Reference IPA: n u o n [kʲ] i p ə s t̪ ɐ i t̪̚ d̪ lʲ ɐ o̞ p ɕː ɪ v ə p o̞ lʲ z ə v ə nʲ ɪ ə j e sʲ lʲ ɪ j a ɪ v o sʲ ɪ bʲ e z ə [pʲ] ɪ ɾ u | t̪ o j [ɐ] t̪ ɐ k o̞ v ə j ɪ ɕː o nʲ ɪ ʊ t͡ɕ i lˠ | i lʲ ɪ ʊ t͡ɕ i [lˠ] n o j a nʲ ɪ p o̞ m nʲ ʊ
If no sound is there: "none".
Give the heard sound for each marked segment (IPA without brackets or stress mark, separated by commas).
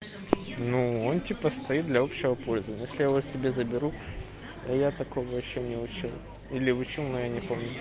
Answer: tʲ, bʲ, a, lˠ